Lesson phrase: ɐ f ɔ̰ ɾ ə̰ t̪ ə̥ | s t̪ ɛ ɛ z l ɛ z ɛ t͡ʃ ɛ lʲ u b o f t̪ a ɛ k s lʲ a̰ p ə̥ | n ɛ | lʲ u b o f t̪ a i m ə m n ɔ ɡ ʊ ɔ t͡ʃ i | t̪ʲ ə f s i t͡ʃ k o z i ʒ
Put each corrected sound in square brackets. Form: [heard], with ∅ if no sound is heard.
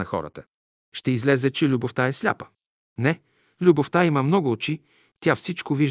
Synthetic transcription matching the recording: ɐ [x] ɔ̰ ɾ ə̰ t̪ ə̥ | [ʃ] t̪ ɛ [i] z l ɛ z ɛ t͡ʃ ɛ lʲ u b o f t̪ a ɛ [∅] s lʲ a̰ p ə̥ | n ɛ | lʲ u b o f t̪ a i m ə m n ɔ ɡ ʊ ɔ t͡ʃ i | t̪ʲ [a] f s i t͡ʃ k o [v] i ʒ